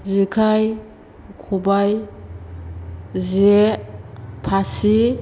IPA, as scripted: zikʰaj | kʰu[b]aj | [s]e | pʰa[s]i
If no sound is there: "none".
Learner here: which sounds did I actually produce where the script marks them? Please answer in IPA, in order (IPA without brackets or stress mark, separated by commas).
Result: b, z, s